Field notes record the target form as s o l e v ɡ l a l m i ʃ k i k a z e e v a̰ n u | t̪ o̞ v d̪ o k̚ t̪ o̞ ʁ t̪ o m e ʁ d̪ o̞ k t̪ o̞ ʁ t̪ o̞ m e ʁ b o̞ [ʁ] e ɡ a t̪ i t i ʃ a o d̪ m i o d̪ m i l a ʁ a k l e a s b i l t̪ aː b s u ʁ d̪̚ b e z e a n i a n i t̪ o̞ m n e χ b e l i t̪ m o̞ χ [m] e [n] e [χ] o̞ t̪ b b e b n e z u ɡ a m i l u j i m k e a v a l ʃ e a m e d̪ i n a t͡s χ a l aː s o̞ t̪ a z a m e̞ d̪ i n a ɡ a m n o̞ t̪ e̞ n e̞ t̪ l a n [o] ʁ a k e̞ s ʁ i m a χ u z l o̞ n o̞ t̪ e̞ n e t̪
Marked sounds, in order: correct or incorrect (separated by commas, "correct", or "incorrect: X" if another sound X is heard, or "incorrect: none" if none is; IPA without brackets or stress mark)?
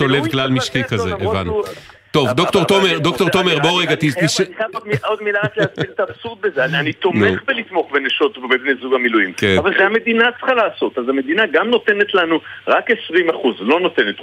correct, incorrect: b, correct, incorrect: ʃ, incorrect: u